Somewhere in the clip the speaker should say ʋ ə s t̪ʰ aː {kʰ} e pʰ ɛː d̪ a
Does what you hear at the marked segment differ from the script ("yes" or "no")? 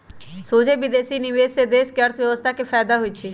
yes